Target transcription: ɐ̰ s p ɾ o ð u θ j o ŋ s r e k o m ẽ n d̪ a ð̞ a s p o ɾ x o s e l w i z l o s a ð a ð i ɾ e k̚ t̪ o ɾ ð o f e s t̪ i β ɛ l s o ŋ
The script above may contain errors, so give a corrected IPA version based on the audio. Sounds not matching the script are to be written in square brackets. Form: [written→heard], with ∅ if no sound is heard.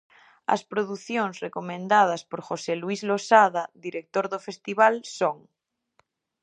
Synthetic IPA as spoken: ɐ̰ s p ɾ o ð u θ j o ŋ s r e k o m ẽ n d̪ a ð̞ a s p o ɾ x o s e l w i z l o s a ð a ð i ɾ e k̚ t̪ o ɾ ð o f e s t̪ i β [ɛ→a] l s o ŋ